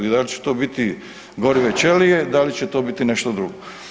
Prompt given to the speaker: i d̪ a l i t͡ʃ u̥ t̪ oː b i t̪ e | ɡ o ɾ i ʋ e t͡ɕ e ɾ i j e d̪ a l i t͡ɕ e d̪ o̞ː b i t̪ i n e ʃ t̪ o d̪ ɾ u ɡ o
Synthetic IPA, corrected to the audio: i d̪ a l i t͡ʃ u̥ t̪ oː b i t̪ i | ɡ o ɾ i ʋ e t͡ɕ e l i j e d̪ a l i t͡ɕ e t̪ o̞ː b i t̪ i n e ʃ t̪ o d̪ ɾ u ɡ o